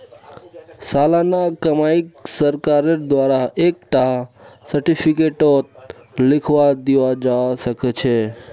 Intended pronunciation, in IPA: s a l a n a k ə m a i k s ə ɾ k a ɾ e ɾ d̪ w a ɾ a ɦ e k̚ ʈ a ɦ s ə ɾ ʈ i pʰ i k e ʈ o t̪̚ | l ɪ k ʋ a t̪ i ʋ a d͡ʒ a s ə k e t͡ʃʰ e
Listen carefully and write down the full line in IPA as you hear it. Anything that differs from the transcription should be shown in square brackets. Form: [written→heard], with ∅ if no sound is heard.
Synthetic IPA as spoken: s a l a n a k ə m a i k s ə ɾ k a ɾ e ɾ d̪ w a ɾ a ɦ e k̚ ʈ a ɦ s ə ɾ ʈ i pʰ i k e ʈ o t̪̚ | l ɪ [k→kʰ] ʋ a [t̪→d̪] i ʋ a d͡ʒ a s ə k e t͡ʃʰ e